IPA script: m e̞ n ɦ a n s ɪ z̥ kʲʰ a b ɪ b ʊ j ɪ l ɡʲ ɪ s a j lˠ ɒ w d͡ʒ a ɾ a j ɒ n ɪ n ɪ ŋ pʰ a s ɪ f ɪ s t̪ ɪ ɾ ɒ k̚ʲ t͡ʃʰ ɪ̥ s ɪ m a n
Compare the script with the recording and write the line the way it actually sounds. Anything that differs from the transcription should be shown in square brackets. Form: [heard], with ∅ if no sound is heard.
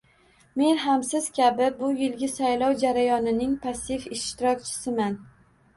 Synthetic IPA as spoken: m e̞ n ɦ a [m] s ɪ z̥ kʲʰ a b ɪ b ʊ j ɪ l ɡʲ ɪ s a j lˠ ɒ w d͡ʒ a ɾ a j ɒ n ɪ n ɪ ŋ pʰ a s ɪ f ɪ [ʃ] t̪ ɪ ɾ ɒ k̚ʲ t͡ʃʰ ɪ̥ s ɪ m a n